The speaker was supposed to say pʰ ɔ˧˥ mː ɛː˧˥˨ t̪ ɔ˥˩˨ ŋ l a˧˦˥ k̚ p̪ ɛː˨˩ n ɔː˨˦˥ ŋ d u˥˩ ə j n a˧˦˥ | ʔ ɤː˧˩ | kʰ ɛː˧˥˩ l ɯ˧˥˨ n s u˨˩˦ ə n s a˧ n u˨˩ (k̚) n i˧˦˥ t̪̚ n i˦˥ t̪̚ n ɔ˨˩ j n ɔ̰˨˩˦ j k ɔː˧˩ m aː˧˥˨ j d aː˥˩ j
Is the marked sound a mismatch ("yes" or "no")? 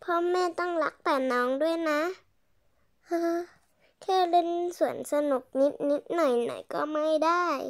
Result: no